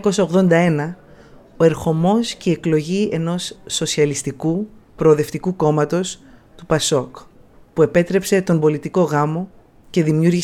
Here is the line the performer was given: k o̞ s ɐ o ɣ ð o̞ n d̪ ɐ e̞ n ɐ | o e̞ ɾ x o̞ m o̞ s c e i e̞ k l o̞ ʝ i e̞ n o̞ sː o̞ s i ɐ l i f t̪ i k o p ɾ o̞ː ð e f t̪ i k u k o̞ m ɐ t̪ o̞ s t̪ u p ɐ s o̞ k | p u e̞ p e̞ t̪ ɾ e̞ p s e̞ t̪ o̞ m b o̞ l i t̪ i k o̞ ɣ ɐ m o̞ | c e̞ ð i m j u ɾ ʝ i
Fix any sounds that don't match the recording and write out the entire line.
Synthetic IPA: k o̞ s ɐ o ɣ ð o̞ n d̪ ɐ e̞ n ɐ | o e̞ ɾ x o̞ m o̞ s c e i e̞ k l o̞ ʝ i e̞ n o̞ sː o̞ s i ɐ l i s t̪ i k u p ɾ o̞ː ð e f t̪ i k u k o̞ m ɐ t̪ o̞ s t̪ u p ɐ s o̞ k | p u e̞ p e̞ t̪ ɾ e̞ p s e̞ t̪ o̞ m b o̞ l i t̪ i k o̞ ɣ ɐ m o̞ | c e̞ ð i m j u ɾ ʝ i